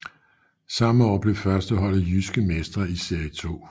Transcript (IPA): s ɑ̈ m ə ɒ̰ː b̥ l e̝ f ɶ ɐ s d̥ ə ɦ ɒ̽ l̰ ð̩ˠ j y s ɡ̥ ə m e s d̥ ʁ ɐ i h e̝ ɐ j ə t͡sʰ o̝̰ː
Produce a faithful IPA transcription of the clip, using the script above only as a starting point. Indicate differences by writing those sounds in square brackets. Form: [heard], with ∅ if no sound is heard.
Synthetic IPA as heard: s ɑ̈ m ə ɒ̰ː b̥ l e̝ f ɶ ɐ s d̥ ə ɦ ɒ̽ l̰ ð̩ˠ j y s ɡ̥ ə m e s d̥ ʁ ɐ i [s] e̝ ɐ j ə t͡sʰ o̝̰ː